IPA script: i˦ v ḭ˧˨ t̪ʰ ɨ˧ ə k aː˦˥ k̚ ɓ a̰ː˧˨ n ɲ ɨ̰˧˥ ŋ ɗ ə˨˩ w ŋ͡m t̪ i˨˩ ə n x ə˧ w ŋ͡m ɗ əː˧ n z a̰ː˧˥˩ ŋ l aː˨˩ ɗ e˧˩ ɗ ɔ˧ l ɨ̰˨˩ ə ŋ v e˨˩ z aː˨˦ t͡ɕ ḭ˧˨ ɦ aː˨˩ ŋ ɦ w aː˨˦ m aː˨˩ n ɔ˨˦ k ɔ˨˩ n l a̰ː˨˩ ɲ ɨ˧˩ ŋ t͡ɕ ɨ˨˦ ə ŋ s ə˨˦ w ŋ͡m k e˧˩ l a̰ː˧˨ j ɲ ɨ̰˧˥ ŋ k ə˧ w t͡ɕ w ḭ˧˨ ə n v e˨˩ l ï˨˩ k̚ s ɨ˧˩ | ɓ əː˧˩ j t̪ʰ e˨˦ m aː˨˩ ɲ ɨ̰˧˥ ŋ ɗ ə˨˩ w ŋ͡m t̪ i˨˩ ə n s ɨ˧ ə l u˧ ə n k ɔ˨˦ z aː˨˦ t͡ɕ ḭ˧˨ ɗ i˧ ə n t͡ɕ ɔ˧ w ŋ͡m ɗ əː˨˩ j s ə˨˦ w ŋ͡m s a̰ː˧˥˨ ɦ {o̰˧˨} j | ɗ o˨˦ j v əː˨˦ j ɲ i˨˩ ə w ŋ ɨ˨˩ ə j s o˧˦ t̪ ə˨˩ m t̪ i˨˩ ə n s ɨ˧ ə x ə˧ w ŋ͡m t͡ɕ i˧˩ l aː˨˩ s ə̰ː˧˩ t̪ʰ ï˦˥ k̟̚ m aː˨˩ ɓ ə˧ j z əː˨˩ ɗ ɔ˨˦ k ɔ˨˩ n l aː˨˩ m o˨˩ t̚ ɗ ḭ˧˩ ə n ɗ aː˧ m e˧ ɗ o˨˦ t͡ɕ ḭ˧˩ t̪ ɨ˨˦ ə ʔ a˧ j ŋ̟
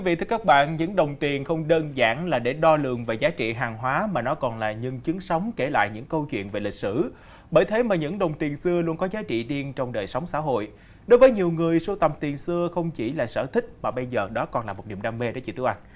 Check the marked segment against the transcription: correct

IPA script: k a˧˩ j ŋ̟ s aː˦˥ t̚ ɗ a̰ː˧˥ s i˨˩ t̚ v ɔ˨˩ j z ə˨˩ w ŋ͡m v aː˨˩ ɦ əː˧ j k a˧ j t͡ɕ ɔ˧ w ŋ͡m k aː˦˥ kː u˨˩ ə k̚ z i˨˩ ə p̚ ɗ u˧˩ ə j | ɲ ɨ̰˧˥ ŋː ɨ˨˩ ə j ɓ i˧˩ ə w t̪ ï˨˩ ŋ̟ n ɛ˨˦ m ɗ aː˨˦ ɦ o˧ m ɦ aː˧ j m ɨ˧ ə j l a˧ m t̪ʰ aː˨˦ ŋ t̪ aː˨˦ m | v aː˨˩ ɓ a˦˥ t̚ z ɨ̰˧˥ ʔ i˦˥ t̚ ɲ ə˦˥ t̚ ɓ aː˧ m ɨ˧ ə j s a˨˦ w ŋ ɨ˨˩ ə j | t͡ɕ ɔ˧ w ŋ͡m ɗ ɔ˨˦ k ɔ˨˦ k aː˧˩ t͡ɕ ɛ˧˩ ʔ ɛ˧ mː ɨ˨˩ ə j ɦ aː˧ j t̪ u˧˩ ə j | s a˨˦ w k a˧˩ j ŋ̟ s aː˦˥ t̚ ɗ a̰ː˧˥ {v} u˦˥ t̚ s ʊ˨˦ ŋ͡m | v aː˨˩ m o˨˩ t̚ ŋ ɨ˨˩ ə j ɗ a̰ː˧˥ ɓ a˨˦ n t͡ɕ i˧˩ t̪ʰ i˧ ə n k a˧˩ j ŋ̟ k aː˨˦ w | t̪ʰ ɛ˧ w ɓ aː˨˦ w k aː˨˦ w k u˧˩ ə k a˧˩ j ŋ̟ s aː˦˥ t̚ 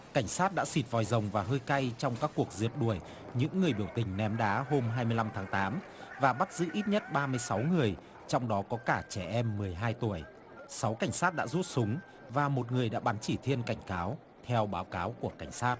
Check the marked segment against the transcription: incorrect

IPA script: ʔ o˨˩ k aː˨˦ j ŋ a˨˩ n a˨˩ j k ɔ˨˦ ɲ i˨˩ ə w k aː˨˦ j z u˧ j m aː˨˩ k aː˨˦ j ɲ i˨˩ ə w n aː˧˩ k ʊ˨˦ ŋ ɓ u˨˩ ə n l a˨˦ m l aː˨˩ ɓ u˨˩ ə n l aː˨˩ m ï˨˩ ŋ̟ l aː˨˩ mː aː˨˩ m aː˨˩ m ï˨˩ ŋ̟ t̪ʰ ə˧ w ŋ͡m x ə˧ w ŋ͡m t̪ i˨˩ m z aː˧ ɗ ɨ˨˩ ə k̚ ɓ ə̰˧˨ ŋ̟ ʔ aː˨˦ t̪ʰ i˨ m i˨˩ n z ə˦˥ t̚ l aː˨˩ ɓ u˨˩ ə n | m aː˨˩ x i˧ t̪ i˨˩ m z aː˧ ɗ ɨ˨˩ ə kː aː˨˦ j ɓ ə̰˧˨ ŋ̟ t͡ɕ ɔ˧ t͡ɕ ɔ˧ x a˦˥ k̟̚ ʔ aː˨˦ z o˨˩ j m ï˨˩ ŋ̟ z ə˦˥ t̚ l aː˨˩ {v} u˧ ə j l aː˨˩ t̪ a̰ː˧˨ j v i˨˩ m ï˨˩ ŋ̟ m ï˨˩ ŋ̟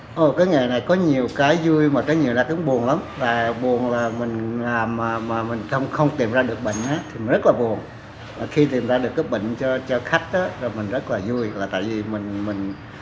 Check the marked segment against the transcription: incorrect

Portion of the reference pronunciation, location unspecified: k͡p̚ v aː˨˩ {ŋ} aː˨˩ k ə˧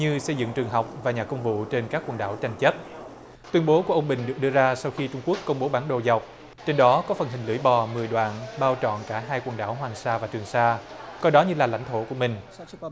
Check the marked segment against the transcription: incorrect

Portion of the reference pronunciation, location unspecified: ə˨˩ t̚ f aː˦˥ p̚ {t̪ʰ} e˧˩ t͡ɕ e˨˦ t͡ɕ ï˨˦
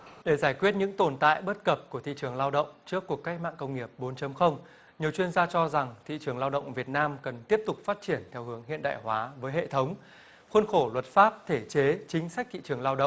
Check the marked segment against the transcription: correct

